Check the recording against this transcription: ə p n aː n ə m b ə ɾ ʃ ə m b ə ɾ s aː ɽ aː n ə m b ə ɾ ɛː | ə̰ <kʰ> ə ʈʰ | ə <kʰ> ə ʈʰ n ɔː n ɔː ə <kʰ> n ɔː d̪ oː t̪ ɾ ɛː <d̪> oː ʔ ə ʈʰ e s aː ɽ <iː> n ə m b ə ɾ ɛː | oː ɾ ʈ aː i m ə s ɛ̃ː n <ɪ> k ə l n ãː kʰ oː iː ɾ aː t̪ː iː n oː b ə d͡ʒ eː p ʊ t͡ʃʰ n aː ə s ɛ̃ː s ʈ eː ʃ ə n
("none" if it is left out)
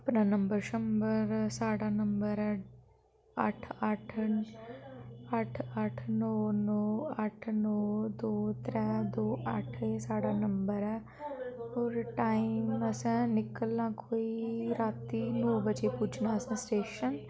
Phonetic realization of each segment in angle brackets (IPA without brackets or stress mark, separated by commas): ʈʰ, ʈʰ, ʈʰ, d̪, aː, ɪ